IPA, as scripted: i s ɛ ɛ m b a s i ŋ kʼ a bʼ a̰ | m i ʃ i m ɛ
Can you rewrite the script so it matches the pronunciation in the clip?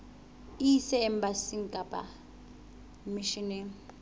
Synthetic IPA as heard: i s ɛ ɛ m b a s i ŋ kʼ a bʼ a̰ | m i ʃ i n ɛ